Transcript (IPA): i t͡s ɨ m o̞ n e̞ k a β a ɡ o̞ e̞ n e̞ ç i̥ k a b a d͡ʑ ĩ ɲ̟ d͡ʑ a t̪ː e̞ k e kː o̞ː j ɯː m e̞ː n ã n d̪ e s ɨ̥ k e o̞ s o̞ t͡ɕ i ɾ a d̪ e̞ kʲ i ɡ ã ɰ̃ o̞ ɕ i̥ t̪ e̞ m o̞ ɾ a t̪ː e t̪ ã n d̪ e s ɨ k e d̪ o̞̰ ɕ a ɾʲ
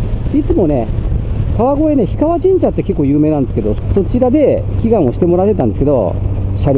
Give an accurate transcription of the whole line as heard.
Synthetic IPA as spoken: i t͡s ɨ m o̞ n e̞ k a β a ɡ o̞ e̞ n e̞ ç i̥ k a β a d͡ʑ ĩ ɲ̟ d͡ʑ a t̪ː e̞ k e kː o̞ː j ɯː m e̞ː n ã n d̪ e s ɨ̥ k e o̞ s o̞ t͡ɕ i ɾ a d̪ e̞ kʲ i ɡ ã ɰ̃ o̞ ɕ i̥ t̪ e̞ m o̞ ɾ a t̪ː e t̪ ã n d̪ e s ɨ k e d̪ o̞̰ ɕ a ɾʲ